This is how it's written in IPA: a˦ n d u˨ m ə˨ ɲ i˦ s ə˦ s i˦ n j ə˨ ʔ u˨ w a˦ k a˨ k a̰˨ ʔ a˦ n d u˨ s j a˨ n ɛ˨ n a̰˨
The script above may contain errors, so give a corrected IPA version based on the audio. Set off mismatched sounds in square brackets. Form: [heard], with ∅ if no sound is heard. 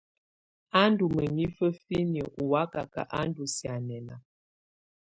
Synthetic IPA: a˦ n d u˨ m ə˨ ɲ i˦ [f] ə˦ [f] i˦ n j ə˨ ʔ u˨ w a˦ k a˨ k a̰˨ ʔ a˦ n d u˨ s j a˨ n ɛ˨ n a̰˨